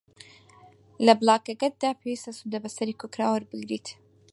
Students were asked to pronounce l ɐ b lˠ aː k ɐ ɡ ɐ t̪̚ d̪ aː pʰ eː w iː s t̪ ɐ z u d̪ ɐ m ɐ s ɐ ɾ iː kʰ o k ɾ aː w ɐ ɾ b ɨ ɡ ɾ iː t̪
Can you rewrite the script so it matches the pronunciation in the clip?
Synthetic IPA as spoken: l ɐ b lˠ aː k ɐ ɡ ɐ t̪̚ d̪ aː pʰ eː w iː s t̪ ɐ s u d̪ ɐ b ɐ s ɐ ɾ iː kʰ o k ɾ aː w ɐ ɾ b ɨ ɡ ɾ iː t̪